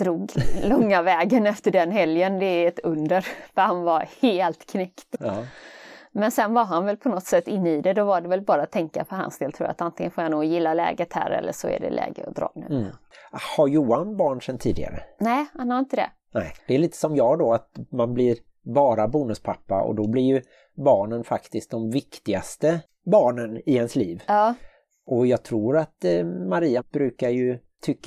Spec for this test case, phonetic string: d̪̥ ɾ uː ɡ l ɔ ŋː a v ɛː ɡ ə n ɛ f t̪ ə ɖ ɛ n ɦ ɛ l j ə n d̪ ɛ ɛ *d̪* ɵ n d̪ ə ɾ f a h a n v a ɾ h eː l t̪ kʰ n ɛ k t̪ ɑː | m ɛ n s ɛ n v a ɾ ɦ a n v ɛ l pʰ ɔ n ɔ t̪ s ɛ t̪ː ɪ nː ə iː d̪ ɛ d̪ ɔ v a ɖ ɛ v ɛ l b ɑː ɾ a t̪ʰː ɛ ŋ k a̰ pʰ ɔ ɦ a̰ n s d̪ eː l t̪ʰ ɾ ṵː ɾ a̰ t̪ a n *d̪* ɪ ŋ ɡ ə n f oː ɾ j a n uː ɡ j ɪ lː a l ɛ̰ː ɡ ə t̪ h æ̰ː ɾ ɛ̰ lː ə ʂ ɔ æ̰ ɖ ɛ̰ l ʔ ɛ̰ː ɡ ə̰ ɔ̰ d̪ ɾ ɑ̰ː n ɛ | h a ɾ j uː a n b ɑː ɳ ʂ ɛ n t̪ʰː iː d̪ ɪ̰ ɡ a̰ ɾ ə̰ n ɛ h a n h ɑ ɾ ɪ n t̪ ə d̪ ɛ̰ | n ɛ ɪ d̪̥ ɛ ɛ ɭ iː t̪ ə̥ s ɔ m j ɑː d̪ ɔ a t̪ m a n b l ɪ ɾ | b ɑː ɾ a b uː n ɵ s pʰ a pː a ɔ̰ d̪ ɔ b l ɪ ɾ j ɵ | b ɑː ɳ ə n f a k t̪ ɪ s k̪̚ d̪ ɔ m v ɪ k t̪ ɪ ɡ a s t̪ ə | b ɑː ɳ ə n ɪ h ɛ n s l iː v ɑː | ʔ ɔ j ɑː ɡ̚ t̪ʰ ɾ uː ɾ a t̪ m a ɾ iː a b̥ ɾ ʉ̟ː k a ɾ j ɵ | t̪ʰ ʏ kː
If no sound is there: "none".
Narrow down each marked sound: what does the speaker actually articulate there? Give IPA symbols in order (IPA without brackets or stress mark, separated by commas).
t̪, t̪